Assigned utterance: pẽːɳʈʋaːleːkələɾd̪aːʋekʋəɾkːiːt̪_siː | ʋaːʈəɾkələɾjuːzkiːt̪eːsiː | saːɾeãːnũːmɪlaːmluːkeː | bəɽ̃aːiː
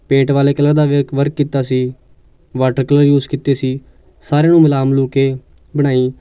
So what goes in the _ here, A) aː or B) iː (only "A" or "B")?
A